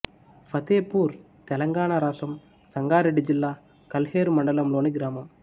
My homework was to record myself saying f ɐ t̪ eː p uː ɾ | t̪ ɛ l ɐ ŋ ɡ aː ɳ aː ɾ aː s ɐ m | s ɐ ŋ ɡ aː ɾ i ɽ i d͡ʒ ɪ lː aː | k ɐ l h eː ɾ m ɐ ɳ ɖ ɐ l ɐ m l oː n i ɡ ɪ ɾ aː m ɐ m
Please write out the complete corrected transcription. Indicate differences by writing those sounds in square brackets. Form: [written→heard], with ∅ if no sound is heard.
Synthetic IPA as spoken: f ɐ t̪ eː p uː ɾ | t̪ ɛ l ɐ ŋ ɡ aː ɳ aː ɾ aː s ɐ m | s ɐ ŋ ɡ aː ɾ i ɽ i d͡ʒ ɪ lː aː | k ɐ l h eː ɾ m ɐ ɳ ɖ ɐ l ɐ m l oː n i ɡ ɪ ɾ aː m ɐ m